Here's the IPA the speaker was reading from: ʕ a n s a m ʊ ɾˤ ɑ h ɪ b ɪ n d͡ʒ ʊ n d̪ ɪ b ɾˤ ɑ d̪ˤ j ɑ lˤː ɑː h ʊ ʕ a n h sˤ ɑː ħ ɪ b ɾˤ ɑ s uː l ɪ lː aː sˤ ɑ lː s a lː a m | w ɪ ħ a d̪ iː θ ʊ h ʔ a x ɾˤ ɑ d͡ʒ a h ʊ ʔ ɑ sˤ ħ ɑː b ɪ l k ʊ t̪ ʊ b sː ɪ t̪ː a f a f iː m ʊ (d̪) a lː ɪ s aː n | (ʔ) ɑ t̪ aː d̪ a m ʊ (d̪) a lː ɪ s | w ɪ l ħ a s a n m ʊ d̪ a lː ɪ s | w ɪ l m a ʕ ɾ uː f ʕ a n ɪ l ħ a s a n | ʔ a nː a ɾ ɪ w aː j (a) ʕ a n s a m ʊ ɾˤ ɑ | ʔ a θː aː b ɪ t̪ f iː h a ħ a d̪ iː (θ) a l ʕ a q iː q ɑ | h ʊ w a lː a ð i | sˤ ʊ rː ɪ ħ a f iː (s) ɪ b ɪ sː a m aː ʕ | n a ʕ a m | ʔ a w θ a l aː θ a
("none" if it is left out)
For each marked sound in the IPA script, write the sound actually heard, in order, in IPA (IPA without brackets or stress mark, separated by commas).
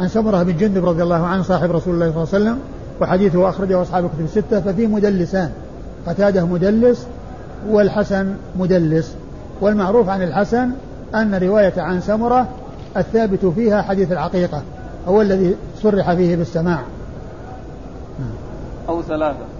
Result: d̪, q, d̪, a, θ, h